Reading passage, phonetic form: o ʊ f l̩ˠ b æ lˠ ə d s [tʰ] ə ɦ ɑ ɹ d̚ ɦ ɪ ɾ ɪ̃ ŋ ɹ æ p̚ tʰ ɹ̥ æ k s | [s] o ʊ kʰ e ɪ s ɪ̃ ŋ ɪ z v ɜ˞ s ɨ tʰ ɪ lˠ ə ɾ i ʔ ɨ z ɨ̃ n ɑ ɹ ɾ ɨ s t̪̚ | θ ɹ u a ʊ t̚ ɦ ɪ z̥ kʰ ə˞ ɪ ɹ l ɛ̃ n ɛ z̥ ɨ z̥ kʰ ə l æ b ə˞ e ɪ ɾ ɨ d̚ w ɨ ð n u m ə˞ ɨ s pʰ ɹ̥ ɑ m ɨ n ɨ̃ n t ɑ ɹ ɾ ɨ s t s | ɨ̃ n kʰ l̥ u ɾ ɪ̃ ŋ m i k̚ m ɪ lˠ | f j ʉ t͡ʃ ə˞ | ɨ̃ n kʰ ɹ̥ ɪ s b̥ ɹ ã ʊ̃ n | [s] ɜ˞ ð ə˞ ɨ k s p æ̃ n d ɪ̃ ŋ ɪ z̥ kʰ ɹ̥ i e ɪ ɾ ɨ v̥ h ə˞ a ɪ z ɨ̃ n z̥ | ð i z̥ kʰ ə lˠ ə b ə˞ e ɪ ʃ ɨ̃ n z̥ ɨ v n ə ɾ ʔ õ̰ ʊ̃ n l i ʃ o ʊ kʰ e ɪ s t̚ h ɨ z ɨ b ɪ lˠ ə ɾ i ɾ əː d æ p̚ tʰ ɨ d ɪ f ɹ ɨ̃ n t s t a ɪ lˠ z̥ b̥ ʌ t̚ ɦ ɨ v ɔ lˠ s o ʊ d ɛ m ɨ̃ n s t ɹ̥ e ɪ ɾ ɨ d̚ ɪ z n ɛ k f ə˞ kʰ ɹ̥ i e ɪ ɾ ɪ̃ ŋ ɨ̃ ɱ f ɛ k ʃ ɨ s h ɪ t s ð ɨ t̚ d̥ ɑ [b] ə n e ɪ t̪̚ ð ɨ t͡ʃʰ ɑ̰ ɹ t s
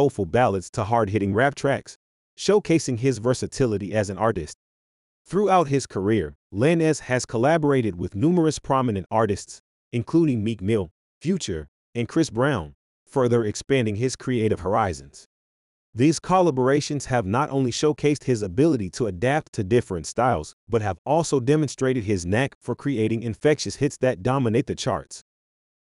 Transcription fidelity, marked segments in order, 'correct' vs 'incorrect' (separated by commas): correct, incorrect, incorrect, incorrect